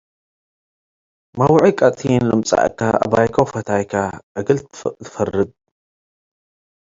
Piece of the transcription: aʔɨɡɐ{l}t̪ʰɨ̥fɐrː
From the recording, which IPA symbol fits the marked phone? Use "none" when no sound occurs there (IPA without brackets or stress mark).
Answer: l